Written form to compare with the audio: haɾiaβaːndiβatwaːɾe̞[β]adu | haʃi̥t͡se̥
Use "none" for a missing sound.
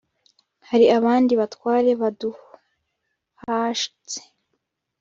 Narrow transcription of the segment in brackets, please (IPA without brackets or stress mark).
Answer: β